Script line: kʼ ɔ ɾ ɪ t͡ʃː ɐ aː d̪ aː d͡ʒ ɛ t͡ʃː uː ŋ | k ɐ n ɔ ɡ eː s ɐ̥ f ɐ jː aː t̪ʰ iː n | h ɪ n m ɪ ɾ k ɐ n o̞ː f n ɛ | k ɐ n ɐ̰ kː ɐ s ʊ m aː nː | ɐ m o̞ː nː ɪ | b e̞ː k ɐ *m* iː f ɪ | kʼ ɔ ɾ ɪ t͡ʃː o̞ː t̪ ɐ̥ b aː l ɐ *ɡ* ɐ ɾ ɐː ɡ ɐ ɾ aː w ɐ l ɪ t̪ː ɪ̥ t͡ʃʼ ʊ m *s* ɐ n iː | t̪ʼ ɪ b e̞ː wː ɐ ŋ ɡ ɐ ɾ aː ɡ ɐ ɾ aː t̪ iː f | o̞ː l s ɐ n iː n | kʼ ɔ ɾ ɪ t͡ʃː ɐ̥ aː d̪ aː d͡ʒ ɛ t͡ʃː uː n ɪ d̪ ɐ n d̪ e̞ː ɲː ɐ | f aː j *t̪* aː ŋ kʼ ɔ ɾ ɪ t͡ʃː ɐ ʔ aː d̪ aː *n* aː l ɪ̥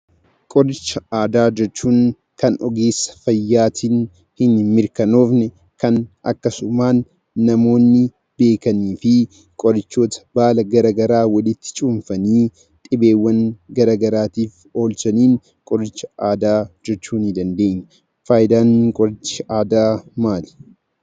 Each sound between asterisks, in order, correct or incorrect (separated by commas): incorrect, correct, incorrect, incorrect, incorrect